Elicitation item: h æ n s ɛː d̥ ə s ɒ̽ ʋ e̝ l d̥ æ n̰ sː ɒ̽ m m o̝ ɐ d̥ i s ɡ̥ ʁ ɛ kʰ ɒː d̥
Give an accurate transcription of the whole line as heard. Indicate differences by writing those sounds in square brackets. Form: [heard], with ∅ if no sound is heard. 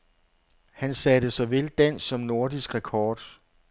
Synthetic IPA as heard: h æ n s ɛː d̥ ə s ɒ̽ ʋ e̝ l d̥ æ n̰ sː ɒ̽ m [n] o̝ ɐ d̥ i s ɡ̥ ʁ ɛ kʰ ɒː d̥